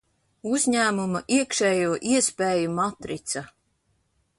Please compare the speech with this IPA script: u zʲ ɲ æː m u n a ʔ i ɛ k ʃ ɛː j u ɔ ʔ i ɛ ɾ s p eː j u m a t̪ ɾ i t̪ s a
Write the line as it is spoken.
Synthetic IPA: u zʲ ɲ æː m u m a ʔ i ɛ k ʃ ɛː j u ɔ ʔ i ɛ s p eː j u m a t̪ ɾ i t̪ s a